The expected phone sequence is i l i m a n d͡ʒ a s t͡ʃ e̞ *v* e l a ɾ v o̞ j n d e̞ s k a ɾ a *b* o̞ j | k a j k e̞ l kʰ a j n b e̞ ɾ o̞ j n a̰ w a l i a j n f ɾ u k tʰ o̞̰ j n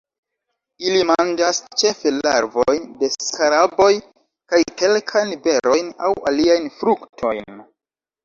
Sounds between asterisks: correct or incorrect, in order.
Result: incorrect: f, correct

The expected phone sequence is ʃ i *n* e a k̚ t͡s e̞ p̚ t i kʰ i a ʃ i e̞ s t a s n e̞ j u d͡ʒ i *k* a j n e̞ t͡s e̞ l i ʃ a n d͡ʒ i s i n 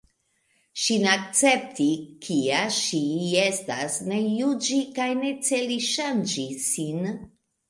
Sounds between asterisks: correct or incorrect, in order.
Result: correct, correct

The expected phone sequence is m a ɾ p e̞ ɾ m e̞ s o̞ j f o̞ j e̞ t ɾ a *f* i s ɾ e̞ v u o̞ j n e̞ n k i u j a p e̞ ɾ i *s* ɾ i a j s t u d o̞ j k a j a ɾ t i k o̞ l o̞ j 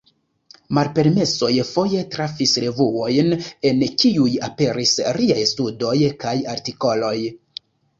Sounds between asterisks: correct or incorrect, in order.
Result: correct, correct

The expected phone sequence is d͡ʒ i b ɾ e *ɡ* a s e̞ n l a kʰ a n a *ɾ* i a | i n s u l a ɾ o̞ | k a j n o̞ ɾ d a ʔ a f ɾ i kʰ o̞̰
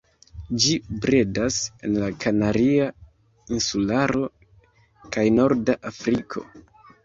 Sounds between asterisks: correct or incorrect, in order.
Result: incorrect: d, correct

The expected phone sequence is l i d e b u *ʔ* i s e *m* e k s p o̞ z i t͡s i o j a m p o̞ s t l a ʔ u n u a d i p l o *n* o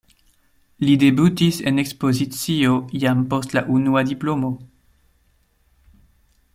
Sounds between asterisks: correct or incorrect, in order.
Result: incorrect: t, incorrect: n, incorrect: m

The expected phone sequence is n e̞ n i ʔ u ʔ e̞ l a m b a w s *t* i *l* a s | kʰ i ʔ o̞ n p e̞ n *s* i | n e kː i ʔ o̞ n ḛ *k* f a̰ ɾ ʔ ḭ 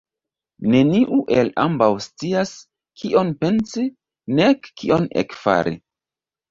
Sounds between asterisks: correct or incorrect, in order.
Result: incorrect: t͡s, incorrect: none, correct, correct

